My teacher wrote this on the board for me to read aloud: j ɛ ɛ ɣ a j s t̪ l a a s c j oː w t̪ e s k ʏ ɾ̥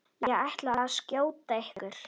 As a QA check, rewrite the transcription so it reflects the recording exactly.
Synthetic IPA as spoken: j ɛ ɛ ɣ a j h t̪ l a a s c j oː w t̪ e h k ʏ ɾ̥